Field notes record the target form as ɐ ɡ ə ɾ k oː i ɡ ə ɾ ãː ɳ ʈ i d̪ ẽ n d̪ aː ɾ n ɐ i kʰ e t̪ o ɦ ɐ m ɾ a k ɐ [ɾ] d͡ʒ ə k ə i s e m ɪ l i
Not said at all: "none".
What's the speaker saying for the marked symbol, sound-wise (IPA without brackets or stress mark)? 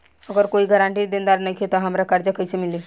ɾ